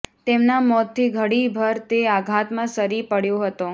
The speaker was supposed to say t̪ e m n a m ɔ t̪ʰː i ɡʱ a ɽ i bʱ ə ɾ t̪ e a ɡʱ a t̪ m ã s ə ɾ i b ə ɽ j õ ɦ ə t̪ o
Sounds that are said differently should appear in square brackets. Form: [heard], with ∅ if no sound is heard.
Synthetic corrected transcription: t̪ e m n a m ɔ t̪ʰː i ɡʱ [ə] ɽ i bʱ ə ɾ t̪ e a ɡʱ a t̪ m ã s ə ɾ i [p] ə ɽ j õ ɦ ə t̪ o

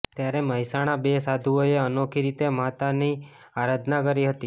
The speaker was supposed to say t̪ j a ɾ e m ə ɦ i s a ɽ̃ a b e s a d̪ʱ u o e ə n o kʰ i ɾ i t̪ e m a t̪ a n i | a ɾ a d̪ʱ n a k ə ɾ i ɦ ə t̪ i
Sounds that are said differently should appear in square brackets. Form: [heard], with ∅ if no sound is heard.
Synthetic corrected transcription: t̪ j a ɾ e m ə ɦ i s a ɽ̃ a b e s a d̪ʱ u o e ə n o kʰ i ɾ i t̪ e m a t̪ a n i | a ɾ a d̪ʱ n a k ə ɾ i ɦ ə t̪ i

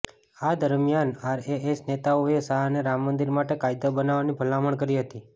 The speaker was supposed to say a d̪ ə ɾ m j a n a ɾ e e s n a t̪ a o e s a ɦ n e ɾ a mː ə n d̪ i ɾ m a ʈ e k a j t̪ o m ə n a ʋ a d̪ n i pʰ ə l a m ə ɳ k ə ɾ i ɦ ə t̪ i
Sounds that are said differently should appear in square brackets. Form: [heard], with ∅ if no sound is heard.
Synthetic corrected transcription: a d̪ ə ɾ m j a n a ɾ e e s n [e] t̪ a o e s a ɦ n e ɾ a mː ə n d̪ i ɾ m a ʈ e k a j [d̪] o [b] ə n a ʋ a [∅] n i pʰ ə l a m ə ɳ k ə ɾ i ɦ ə t̪ i

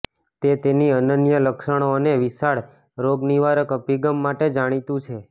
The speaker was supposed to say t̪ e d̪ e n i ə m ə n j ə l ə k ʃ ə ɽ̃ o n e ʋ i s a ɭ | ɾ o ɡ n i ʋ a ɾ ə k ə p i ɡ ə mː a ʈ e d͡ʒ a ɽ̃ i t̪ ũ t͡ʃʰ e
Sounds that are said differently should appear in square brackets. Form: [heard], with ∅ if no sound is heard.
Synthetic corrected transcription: t̪ e [t̪] e n i ə [n] ə n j ə l ə k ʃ ə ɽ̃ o n e ʋ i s a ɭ | ɾ o ɡ n i ʋ a ɾ ə k ə p i ɡ ə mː a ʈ e d͡ʒ a ɽ̃ i t̪ ũ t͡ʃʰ e

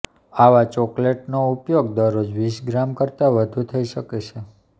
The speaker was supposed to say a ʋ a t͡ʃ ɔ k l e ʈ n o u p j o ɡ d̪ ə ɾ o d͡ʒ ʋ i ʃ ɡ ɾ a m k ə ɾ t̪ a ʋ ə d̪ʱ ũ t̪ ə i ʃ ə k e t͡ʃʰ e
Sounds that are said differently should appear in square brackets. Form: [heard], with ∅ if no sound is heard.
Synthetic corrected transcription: a ʋ a t͡ʃ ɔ k l e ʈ n o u p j o ɡ d̪ ə ɾ o d͡ʒ ʋ i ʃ ɡ ɾ a m k ə ɾ t̪ a ʋ ə d̪ʱ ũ [t̪ʰ] ə i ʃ ə k e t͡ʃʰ e

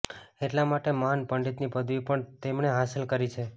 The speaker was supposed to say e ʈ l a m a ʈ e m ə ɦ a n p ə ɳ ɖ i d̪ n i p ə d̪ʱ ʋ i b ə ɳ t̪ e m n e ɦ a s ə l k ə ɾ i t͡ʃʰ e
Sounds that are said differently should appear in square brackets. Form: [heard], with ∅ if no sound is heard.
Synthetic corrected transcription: e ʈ l a m a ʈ e m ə ɦ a n p ə ɳ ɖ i [t̪] n i p ə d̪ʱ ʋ i [p] ə ɳ t̪ e m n e ɦ a s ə l k ə ɾ i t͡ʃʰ e

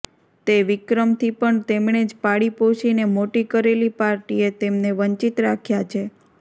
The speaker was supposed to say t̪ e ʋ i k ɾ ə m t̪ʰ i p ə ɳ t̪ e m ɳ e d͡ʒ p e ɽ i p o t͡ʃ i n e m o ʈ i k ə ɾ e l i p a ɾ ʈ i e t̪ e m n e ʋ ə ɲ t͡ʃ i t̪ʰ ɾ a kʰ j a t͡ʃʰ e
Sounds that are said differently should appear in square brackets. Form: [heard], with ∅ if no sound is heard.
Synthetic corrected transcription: t̪ e ʋ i k ɾ ə m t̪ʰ i p ə ɳ t̪ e m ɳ e d͡ʒ p [a] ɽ i p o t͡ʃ i n e m o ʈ i k ə ɾ e l i p a ɾ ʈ i e t̪ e m n e ʋ ə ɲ t͡ʃ i [t̪] ɾ a kʰ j a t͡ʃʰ e

